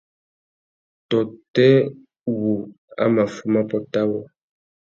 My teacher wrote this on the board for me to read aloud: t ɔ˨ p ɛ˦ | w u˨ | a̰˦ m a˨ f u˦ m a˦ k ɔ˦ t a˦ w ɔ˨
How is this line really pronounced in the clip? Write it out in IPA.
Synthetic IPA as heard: t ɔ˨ t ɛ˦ | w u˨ | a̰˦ m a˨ f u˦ m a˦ p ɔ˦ t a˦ w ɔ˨